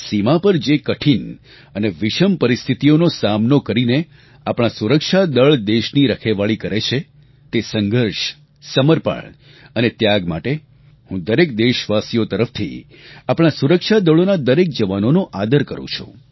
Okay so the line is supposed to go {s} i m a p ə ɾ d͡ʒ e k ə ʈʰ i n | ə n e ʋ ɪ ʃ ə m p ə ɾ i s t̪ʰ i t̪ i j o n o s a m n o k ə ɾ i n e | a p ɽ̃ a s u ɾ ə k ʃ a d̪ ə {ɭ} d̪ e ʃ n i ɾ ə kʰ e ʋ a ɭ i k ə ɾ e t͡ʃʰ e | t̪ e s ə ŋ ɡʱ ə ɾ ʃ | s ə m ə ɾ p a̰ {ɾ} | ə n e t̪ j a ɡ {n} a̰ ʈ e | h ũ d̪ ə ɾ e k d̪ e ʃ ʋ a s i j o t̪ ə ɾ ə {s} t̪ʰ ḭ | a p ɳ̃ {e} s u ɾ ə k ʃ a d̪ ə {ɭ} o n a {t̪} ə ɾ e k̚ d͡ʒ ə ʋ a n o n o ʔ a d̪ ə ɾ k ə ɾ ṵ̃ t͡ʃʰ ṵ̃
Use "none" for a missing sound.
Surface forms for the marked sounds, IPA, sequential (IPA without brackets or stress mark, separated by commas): s, ɭ, ɭ, m, f, a, ɭ, d̪